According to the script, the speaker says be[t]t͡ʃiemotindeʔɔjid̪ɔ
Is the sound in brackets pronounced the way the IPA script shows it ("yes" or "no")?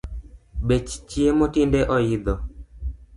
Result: no